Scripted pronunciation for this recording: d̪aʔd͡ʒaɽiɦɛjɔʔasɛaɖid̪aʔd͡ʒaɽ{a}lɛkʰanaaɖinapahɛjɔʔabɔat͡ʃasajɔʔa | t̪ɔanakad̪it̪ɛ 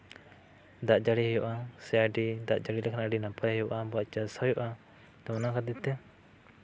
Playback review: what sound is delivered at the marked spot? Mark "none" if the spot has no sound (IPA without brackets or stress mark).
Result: i